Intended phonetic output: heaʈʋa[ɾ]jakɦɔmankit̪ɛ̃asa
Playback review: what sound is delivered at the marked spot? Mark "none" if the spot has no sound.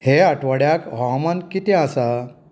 ɽ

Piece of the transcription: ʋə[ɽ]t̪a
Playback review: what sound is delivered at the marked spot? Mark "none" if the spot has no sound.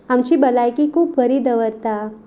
ɾ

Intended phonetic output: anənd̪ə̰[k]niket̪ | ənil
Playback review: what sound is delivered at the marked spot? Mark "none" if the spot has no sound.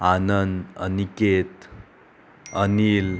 none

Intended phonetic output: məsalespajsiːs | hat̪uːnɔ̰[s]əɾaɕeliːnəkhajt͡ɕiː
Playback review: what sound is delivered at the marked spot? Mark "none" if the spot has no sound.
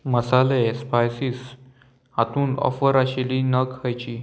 f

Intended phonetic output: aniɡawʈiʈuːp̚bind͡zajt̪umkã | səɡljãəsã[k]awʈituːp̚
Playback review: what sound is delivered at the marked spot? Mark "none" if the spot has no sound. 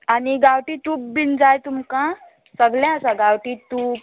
ɡ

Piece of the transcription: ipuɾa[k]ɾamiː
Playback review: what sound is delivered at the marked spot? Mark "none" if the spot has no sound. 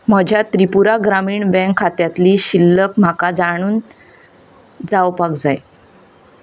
ɡ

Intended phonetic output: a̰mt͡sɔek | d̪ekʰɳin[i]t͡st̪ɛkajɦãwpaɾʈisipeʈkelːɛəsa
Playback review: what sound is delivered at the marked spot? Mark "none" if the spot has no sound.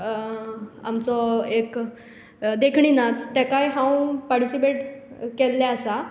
a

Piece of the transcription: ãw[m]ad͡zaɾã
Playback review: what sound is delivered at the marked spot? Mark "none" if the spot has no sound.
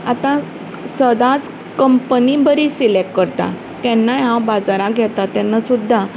b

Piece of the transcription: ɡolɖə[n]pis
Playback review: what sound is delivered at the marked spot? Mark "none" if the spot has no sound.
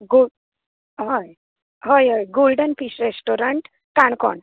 n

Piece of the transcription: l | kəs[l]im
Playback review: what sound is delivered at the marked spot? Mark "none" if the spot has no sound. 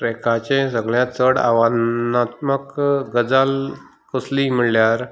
l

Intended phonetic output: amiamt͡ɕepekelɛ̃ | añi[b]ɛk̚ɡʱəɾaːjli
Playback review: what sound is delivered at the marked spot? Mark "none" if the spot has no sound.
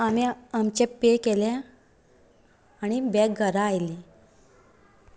b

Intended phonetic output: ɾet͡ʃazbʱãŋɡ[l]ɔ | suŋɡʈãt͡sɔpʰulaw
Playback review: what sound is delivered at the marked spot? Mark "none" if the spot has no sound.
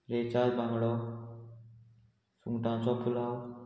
ɽ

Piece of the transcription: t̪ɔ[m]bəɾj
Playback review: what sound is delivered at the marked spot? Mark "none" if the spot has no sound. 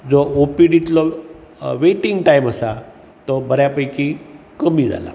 none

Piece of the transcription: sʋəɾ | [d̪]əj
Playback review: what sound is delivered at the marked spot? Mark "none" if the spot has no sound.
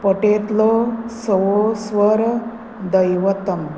d̪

